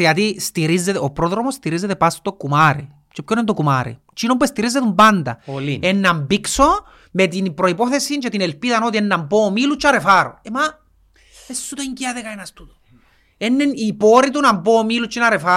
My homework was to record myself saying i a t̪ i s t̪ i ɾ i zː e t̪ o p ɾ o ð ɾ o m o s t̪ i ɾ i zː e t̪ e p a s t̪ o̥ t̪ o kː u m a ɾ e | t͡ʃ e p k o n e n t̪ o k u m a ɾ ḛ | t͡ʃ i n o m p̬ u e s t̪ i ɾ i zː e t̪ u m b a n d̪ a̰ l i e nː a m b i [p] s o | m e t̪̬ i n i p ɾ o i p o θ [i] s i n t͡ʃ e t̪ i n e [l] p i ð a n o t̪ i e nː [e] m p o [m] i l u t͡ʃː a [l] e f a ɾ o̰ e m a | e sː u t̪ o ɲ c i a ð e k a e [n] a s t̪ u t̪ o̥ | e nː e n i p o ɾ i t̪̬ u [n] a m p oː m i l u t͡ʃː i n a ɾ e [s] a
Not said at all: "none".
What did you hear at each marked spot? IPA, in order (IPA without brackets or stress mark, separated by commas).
k, e, l, a, m, ɾ, n, n, f